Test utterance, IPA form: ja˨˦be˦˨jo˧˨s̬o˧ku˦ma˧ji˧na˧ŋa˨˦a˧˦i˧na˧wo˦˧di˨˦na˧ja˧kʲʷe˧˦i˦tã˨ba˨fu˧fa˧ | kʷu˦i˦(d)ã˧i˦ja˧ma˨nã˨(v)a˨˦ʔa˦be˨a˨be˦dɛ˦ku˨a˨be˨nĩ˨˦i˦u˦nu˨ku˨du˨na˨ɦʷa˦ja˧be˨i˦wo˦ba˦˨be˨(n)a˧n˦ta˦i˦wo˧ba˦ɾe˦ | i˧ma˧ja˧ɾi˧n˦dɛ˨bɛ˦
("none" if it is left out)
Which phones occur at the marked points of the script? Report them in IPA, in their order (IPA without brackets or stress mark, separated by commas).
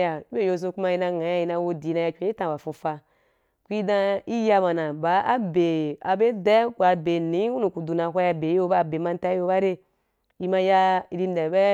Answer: d, b, m